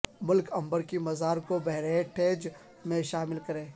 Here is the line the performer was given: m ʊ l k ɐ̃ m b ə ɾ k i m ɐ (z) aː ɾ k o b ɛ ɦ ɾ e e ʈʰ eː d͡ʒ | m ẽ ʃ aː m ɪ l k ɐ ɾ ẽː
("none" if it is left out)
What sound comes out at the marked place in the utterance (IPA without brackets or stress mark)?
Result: z